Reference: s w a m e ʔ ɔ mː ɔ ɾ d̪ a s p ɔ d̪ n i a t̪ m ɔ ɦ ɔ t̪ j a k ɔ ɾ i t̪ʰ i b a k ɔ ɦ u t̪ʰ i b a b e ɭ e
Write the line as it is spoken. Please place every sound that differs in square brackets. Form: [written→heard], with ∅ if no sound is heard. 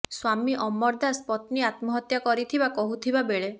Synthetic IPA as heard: s w a m [e→i] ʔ ɔ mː ɔ ɾ d̪ a s p ɔ [d̪→t̪] n i a t̪ m ɔ ɦ ɔ t̪ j a k ɔ ɾ i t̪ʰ i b a k ɔ ɦ u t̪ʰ i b a b e ɭ e